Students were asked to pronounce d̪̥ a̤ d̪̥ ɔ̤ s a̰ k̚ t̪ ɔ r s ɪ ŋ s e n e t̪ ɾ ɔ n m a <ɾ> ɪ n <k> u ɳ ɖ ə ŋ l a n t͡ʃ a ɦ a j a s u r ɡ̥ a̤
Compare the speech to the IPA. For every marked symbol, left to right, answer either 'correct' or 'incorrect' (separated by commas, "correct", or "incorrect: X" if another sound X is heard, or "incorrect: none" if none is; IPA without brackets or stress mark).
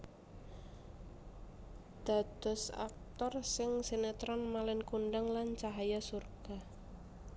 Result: incorrect: l, correct